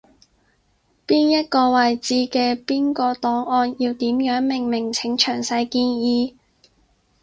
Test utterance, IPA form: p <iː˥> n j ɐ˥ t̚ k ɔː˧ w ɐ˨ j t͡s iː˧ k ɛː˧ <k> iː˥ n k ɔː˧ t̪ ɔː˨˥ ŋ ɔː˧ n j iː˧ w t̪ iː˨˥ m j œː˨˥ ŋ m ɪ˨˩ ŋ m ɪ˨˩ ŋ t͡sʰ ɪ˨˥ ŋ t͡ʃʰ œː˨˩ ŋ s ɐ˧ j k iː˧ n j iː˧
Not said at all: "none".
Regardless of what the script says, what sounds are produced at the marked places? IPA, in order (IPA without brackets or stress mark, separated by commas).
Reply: iː˥, p